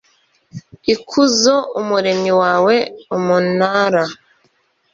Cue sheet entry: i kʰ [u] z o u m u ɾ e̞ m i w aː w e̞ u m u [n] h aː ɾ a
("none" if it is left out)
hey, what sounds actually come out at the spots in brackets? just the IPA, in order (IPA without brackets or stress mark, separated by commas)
u, n